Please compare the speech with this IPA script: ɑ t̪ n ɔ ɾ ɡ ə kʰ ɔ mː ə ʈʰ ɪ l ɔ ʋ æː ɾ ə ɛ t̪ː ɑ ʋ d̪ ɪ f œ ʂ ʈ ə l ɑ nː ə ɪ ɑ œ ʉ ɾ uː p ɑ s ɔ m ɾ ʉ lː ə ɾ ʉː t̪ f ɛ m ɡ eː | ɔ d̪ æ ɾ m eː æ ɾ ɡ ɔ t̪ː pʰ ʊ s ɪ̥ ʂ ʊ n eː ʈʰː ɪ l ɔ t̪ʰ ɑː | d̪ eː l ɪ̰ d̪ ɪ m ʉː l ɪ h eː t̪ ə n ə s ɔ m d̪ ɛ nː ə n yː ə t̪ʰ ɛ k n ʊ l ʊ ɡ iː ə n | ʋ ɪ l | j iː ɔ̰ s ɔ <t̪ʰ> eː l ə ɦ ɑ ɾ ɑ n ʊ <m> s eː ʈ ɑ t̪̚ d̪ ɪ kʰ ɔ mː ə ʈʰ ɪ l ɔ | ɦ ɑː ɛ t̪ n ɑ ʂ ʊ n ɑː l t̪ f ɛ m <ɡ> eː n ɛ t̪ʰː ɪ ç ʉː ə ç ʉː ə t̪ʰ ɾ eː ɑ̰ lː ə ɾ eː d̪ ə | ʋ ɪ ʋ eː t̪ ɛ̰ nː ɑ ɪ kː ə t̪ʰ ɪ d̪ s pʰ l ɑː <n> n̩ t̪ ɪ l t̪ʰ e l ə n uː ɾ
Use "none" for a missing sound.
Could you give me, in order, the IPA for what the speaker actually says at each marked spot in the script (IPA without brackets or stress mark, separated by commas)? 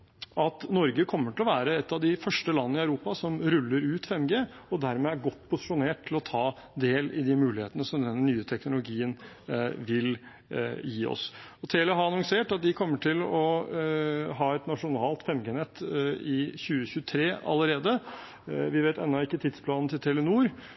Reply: t̪ʰ, ŋ, ɡ, n